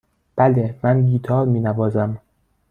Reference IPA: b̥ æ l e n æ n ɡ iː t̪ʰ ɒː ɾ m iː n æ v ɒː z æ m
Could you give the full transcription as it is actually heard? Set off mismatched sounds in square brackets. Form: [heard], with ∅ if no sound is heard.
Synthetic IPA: b̥ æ l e [m] æ n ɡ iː t̪ʰ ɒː ɾ m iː n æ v ɒː z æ m